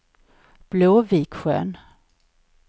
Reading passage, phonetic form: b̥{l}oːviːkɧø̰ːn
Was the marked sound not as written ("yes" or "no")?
no